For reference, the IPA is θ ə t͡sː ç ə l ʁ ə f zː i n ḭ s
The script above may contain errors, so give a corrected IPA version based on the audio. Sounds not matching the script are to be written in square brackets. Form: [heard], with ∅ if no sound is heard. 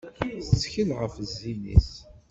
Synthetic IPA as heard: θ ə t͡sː ç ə l ʁ ə f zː i n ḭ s